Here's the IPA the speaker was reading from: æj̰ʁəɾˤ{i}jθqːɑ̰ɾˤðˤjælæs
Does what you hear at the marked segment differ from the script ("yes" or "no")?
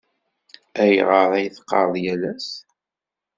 yes